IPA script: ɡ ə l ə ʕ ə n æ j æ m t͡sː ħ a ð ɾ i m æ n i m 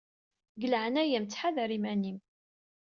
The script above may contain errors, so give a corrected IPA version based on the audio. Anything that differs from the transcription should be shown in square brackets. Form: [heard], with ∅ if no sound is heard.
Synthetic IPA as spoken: ɡ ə l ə ʕ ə n æ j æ m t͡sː ħ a ð ɾ i m æ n i m